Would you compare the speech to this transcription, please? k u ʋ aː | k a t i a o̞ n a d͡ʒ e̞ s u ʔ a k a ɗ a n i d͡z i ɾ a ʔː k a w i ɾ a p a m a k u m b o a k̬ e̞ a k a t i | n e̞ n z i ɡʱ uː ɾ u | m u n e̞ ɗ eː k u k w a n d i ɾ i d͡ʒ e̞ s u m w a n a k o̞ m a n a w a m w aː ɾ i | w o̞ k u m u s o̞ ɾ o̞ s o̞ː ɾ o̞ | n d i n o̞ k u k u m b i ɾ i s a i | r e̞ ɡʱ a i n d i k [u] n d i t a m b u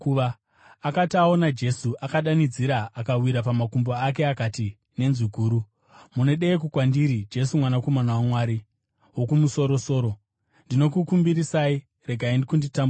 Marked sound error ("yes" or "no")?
no